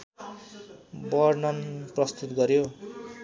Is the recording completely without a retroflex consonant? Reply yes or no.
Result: yes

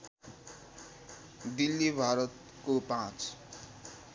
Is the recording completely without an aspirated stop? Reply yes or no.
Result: yes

